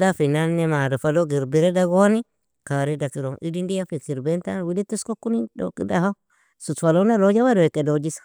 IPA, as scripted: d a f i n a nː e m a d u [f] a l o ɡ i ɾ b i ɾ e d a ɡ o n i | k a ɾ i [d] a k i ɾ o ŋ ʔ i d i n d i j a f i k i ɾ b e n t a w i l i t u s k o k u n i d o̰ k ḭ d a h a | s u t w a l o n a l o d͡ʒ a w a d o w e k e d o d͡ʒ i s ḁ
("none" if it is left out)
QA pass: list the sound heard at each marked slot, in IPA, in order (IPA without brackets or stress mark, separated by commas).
f, d